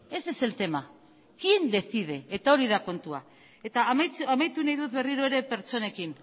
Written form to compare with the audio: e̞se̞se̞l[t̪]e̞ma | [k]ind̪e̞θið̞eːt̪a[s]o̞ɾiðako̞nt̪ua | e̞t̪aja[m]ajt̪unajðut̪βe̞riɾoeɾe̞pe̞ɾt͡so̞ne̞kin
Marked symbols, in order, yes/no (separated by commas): yes, yes, no, yes